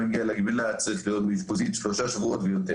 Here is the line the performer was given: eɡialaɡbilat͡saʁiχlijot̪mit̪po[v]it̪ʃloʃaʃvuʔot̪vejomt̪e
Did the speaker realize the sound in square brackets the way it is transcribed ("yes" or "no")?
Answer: no